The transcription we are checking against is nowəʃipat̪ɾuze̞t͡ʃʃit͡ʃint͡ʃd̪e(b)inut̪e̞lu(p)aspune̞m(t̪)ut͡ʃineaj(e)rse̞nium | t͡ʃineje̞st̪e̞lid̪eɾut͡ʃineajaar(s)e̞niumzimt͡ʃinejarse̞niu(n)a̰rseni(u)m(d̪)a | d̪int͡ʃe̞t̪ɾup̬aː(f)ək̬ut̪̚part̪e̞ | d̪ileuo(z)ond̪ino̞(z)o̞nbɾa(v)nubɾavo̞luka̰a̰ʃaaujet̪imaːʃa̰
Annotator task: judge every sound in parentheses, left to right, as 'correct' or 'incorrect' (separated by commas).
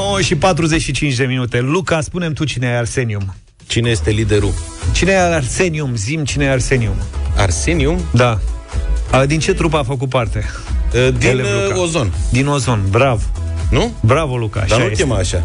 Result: incorrect, incorrect, correct, incorrect, correct, incorrect, correct, correct, correct, correct, correct, correct